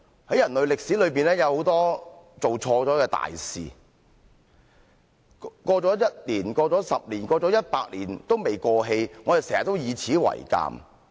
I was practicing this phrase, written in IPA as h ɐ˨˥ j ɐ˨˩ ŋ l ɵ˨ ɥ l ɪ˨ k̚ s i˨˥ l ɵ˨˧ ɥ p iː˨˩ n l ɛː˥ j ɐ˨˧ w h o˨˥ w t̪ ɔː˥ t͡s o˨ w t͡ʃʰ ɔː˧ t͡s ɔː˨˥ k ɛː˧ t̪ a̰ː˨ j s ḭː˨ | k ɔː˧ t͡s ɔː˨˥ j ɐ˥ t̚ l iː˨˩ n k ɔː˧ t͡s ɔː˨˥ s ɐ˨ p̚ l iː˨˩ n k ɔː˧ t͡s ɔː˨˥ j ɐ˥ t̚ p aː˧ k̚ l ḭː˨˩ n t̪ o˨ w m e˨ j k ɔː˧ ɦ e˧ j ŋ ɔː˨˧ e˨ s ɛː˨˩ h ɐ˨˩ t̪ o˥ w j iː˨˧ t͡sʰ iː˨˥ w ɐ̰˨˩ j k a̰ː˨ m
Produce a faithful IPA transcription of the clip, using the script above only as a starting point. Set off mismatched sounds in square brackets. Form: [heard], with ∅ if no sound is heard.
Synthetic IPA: h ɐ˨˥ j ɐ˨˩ [n] l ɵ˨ ɥ l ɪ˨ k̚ s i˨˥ l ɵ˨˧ ɥ p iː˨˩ n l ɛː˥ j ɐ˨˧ w h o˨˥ w t̪ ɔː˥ t͡s o˨ w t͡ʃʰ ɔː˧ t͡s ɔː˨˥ k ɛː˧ t̪ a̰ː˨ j s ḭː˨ | k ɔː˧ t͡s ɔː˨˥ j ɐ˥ t̚ l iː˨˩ n k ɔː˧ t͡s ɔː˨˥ s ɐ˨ p̚ l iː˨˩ n k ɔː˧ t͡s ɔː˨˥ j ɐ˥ t̚ p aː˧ k̚ l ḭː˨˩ n t̪ [o˥] w m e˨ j k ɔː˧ ɦ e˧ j ŋ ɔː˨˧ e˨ s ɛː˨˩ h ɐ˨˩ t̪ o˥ w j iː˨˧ t͡sʰ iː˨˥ w ɐ̰˨˩ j k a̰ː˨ m